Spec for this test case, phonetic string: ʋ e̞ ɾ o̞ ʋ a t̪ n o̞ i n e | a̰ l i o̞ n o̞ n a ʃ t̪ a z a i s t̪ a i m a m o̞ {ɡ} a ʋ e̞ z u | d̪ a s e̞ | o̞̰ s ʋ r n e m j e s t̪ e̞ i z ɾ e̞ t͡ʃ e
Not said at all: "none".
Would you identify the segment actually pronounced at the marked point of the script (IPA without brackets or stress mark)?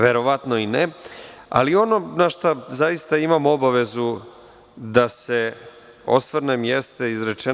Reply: b